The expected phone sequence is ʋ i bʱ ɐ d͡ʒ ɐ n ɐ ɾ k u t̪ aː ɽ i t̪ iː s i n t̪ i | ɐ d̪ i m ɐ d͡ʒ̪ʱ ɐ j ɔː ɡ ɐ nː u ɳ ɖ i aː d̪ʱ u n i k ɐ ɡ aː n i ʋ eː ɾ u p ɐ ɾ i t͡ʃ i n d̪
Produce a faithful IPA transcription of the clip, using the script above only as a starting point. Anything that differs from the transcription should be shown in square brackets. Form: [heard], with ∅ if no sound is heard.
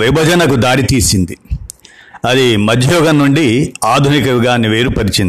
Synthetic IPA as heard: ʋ i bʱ ɐ d͡ʒ ɐ n ɐ [∅] k u [d̪] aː ɽ i t̪ iː s i n [d̪] i | ɐ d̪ i m ɐ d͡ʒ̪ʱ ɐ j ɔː ɡ ɐ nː u ɳ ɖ i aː d̪ʱ u n i k ɐ ɡ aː n i ʋ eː ɾ u p ɐ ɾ i t͡ʃ i n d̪